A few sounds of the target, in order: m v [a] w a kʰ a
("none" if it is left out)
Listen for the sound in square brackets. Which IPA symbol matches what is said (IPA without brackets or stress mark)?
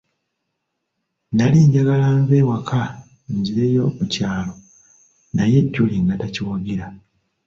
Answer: e